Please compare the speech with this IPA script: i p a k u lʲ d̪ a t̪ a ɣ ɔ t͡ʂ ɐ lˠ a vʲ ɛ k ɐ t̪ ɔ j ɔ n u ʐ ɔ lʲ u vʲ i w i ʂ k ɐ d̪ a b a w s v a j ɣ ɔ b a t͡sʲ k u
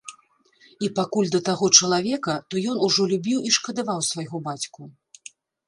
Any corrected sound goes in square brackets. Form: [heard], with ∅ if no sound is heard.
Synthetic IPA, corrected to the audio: i p a k u lʲ d̪ [ɐ] t̪ a ɣ ɔ t͡ʂ ɐ lˠ a vʲ ɛ k ɐ t̪ ɔ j ɔ n u ʐ ɔ lʲ u [bʲ] i w i ʂ k ɐ d̪ a [v] a w s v a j ɣ ɔ b a t͡sʲ k u

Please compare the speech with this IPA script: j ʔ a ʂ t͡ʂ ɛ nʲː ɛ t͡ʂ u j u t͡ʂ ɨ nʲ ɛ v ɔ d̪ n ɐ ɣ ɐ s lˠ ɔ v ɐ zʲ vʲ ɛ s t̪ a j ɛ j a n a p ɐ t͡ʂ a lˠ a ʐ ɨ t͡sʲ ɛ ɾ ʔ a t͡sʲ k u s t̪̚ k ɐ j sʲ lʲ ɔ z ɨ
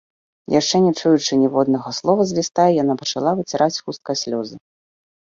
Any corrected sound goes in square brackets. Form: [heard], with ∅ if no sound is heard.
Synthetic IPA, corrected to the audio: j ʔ a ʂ t͡ʂ ɛ [nʲ] ɛ t͡ʂ u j u t͡ʂ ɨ nʲ ɛ v ɔ d̪ n ɐ ɣ ɐ s lˠ ɔ v ɐ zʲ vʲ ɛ s t̪ a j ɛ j a n a p ɐ t͡ʂ a lˠ a [v] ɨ t͡sʲ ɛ ɾ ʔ a t͡sʲ [x] u s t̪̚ k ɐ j sʲ lʲ ɔ z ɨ

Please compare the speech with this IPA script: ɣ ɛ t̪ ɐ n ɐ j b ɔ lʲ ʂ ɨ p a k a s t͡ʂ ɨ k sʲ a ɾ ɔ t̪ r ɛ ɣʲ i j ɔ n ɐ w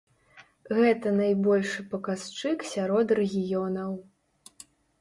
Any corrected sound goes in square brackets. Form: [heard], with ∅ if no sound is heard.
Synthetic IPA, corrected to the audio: ɣ ɛ t̪ ɐ n [a] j b ɔ lʲ ʂ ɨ p [ɐ] k a s t͡ʂ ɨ k sʲ a ɾ ɔ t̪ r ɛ ɣʲ i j ɔ n ɐ w

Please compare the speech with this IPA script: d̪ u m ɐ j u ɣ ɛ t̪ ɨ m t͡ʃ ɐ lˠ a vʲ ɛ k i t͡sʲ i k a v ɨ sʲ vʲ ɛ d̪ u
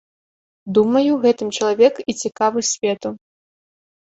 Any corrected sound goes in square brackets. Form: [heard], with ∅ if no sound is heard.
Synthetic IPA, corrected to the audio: d̪ u m ɐ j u ɣ ɛ t̪ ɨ m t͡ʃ ɐ lˠ a vʲ ɛ k i t͡sʲ i k a v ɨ sʲ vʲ ɛ [t̪] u

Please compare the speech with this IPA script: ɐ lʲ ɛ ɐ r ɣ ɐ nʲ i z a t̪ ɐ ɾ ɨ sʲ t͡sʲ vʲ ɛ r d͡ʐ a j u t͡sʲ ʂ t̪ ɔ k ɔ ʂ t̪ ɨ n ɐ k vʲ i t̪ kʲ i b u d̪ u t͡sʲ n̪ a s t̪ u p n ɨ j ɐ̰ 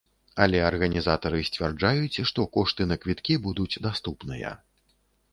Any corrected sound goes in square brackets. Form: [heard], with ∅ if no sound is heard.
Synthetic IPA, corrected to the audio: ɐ lʲ ɛ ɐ r ɣ ɐ nʲ i z a t̪ ɐ ɾ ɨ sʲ t͡sʲ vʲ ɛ r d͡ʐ a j u t͡sʲ ʂ t̪ ɔ k ɔ ʂ t̪ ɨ n ɐ k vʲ i t̪ kʲ i b u d̪ u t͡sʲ [d̪] a s t̪ u p n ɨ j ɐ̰

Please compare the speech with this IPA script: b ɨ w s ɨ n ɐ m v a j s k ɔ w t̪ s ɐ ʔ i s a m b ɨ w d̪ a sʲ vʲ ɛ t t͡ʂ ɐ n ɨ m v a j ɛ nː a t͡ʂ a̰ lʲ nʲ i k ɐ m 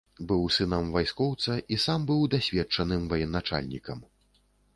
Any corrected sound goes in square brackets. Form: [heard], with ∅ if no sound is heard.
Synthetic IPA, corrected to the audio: b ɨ w s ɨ n ɐ m v a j s k ɔ w t̪ s ɐ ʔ i s a m b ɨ w d̪ a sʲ vʲ ɛ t t͡ʂ ɐ n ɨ m v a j ɛ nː a t͡ʂ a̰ lʲ nʲ i k ɐ m

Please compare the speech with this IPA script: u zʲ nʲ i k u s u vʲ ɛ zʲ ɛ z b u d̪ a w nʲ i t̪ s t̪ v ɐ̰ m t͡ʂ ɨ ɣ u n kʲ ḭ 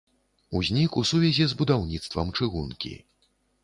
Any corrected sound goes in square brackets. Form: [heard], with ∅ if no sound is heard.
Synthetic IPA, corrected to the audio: u zʲ nʲ i k u s u vʲ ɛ zʲ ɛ z b u d̪ a w nʲ i t̪ s t̪ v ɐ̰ m t͡ʂ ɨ ɣ u n kʲ ḭ

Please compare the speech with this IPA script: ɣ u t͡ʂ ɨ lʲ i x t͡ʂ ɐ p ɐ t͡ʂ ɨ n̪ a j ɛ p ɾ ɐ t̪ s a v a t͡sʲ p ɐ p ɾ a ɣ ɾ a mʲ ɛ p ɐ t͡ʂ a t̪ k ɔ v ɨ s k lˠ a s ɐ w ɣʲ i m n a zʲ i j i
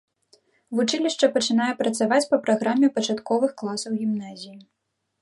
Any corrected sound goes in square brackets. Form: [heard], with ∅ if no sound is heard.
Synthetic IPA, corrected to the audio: [v] u t͡ʂ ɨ lʲ i [ʂ] t͡ʂ ɐ p ɐ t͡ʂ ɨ n̪ a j ɛ p ɾ ɐ t̪ s a v a t͡sʲ p ɐ p ɾ a ɣ ɾ a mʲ ɛ p ɐ t͡ʂ a t̪ k ɔ v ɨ [x] k lˠ a s ɐ w ɣʲ i m n a zʲ i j i

